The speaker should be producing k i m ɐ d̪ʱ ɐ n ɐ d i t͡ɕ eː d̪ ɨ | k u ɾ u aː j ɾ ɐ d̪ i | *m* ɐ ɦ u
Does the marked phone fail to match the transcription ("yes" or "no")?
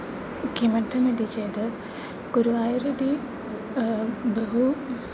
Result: yes